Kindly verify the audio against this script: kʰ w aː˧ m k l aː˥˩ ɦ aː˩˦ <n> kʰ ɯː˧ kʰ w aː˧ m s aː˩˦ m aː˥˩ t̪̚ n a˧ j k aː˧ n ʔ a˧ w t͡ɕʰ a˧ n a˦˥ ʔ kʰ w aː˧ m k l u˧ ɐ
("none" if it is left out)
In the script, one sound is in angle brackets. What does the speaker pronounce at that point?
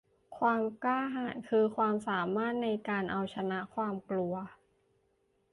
n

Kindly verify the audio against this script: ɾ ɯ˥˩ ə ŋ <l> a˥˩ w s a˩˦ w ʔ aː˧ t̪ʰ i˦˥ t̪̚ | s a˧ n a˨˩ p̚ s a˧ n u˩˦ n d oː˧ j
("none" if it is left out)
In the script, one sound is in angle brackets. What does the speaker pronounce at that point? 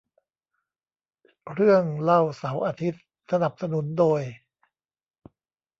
l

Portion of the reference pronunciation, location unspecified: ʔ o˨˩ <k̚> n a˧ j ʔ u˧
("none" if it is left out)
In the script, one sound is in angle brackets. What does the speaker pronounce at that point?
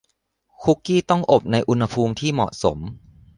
p̚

